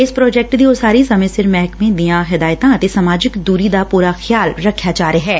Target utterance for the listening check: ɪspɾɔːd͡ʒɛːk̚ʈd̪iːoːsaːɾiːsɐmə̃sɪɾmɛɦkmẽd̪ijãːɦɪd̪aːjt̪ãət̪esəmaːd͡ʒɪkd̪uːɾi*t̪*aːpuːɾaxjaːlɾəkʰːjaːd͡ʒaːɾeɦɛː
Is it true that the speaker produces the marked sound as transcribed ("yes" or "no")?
no